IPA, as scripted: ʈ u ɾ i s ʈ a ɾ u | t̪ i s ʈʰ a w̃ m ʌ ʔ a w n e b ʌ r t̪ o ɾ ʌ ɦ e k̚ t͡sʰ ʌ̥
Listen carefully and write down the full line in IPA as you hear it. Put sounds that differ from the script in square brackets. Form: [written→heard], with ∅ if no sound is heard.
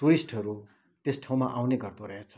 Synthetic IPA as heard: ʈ u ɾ i s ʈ [a→ʌ] ɾ u | t̪ [i→e] s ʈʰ a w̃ m [ʌ→a] ʔ a w n e [b→ɡ] ʌ r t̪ o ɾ ʌ ɦ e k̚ t͡sʰ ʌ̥